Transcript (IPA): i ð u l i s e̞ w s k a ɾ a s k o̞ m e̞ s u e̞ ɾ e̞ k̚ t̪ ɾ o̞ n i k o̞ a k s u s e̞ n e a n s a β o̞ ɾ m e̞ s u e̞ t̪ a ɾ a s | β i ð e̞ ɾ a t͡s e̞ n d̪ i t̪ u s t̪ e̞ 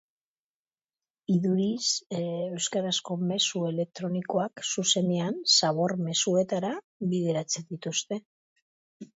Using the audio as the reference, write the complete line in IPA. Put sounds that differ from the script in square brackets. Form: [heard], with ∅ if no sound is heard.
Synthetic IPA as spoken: i ð u [ɾ] i s e̞ w s k a ɾ a s k o̞ m e̞ s u e̞ [l] e̞ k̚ t̪ ɾ o̞ n i k o̞ a k s u s e̞ n e a n s a β o̞ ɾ m e̞ s u e̞ t̪ a ɾ a [∅] | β i ð e̞ ɾ a t͡s e̞ n d̪ i t̪ u s t̪ e̞